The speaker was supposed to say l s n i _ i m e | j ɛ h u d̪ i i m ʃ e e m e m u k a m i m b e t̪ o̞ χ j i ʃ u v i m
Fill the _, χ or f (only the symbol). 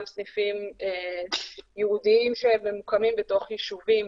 f